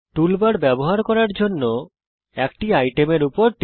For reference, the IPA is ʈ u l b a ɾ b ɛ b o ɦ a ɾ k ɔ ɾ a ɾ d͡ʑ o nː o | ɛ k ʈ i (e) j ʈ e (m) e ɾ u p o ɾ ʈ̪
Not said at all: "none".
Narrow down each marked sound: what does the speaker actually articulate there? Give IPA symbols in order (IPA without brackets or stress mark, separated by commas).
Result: a, m